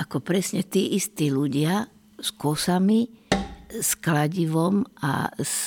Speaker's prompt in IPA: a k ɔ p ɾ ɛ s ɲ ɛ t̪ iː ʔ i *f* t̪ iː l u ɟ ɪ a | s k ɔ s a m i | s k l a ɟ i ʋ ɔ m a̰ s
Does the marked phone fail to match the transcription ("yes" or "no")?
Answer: yes